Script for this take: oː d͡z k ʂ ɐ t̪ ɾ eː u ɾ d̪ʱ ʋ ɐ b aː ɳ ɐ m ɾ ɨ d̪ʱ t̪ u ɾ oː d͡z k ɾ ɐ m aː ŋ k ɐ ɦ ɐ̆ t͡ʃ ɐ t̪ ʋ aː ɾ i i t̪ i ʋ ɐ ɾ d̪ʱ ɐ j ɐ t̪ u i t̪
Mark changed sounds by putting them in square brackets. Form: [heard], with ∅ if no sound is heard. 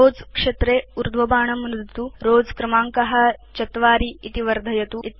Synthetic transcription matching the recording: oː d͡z k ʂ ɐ t̪ ɾ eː u ɾ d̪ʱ ʋ ɐ b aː ɳ ɐ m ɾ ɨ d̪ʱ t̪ u ɾ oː d͡z k ɾ ɐ m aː ŋ k ɐ ɦ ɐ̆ t͡ʃ ɐ t̪ ʋ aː ɾ i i t̪ i ʋ ɐ ɾ d̪ʱ ɐ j ɐ t̪ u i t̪